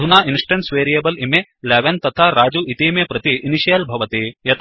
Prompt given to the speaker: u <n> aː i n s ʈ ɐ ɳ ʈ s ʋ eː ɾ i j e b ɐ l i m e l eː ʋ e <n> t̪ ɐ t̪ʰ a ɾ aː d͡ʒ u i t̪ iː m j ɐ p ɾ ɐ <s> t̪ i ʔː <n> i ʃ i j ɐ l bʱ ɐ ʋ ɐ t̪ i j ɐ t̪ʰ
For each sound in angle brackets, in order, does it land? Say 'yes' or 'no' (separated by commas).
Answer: yes, yes, no, yes